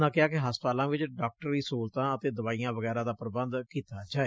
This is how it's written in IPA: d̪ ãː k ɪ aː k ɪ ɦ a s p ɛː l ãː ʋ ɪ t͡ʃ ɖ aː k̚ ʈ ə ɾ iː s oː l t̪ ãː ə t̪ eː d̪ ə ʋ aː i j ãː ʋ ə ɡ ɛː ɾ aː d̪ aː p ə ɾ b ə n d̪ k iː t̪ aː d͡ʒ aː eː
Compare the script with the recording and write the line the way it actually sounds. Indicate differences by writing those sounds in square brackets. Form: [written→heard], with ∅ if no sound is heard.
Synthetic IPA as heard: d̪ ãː k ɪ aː k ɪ ɦ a s p [ɛː→aː] l ãː ʋ ɪ t͡ʃ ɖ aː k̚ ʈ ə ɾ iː s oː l t̪ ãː ə t̪ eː d̪ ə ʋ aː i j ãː ʋ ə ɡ ɛː ɾ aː d̪ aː p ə ɾ b ə n d̪ k iː t̪ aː d͡ʒ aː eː